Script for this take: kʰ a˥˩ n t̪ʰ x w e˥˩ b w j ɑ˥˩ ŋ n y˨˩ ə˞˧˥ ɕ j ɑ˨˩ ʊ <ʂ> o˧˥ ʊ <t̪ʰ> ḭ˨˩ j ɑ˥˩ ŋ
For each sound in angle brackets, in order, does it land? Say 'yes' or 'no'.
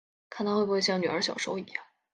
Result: yes, no

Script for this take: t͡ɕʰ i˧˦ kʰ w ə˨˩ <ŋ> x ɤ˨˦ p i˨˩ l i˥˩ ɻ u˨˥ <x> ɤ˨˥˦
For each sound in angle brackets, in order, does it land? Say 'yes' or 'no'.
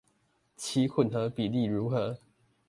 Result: no, yes

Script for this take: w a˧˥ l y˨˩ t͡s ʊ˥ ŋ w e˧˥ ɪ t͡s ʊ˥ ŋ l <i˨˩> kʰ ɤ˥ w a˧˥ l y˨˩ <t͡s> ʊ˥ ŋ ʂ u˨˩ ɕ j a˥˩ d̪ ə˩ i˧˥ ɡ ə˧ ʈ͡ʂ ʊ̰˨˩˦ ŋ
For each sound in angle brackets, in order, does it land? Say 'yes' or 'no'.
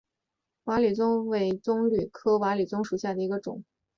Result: no, yes

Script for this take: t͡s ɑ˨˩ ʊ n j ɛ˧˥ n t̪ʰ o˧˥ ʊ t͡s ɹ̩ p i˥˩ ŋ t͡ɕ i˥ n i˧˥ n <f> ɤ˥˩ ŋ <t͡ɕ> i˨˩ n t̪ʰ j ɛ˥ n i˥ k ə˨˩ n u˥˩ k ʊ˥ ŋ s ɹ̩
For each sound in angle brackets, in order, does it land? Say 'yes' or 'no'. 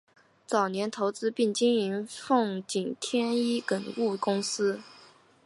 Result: yes, yes

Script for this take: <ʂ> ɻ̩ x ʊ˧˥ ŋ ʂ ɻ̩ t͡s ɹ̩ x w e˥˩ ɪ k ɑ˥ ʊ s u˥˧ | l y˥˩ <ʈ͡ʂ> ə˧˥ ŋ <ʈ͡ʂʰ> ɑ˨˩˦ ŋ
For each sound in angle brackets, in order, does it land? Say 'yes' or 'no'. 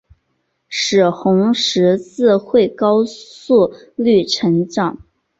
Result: yes, no, no

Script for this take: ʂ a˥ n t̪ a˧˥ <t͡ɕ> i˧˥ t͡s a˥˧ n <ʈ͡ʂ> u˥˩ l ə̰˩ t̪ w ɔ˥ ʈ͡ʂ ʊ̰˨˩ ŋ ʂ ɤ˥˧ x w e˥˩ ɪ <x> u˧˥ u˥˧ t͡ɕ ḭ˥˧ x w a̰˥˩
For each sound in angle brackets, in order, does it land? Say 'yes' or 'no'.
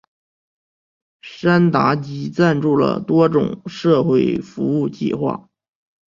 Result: yes, yes, no

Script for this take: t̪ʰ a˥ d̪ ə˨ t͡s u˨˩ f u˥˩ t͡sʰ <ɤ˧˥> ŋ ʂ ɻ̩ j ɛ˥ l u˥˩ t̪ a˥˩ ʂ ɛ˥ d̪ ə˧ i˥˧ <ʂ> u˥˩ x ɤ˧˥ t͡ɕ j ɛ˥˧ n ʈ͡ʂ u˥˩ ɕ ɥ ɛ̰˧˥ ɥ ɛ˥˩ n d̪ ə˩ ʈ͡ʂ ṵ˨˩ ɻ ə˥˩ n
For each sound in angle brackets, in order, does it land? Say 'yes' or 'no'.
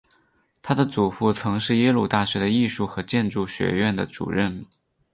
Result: yes, yes

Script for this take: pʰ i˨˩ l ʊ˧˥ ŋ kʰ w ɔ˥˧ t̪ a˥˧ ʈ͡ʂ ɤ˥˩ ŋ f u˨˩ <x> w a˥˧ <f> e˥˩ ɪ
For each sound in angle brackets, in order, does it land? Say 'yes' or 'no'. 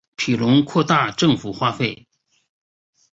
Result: yes, yes

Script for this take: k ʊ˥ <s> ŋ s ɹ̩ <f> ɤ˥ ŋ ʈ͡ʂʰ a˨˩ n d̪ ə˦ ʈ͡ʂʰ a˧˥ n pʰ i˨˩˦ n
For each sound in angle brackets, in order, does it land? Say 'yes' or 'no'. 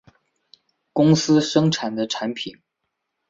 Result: no, no

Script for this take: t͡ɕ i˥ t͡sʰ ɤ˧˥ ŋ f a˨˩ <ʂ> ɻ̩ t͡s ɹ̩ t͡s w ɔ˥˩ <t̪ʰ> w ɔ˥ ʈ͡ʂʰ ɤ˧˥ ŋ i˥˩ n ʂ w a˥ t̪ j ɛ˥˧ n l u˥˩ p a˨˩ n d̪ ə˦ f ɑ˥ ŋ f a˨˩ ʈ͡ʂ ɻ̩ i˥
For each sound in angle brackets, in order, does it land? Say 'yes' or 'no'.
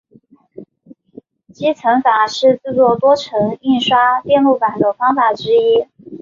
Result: yes, no

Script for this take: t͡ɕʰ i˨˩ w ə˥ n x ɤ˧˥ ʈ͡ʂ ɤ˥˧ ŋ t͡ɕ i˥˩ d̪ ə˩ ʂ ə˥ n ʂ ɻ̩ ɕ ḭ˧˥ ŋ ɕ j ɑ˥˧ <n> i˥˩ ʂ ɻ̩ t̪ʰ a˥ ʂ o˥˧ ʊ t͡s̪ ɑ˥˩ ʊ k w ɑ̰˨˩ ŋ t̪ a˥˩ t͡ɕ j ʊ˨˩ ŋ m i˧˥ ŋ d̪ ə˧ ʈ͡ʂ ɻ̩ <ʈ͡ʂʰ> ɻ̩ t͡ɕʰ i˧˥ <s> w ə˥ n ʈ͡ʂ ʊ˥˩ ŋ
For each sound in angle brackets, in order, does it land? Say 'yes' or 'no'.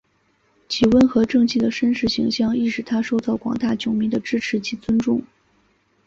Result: no, yes, no

